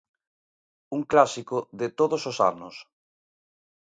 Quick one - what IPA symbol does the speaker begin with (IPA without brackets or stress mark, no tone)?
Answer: u